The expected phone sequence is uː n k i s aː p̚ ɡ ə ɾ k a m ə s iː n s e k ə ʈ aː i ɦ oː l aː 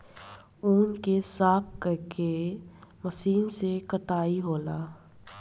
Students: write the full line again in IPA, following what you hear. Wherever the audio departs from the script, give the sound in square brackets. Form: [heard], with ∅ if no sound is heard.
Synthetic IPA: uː n k [e] s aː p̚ [k] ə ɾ k [e] m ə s iː n s e k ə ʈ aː i ɦ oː l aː